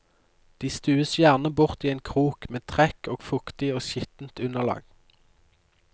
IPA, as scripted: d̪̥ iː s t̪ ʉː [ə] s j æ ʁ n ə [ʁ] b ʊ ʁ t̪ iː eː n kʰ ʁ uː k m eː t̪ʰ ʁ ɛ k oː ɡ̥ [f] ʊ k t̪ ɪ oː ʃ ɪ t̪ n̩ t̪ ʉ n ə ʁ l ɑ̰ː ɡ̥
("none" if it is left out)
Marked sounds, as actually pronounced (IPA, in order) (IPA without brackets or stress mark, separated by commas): ə, none, f